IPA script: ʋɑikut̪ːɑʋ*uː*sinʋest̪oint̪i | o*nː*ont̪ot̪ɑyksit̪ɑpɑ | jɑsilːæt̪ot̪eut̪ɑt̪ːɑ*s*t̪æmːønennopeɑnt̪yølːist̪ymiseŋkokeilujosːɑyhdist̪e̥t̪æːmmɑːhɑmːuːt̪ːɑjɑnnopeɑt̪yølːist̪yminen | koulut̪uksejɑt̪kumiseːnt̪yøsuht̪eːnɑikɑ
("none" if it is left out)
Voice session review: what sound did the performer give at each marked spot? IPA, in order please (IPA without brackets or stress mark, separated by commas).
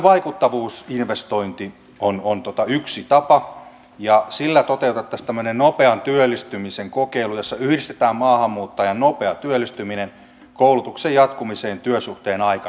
uː, n, s